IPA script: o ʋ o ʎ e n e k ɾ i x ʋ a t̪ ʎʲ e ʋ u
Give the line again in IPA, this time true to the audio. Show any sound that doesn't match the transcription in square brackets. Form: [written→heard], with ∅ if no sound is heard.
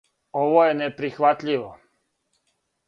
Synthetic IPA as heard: o ʋ o [ʎ→j] e n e [k→p] ɾ i x ʋ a t̪ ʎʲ [e→i] ʋ [u→o]